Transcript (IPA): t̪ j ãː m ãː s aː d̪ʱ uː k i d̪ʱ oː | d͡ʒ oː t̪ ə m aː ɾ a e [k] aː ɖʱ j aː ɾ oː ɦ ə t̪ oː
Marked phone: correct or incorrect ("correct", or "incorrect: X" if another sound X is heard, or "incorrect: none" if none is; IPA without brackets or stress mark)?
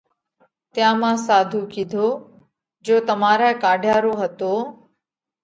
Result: correct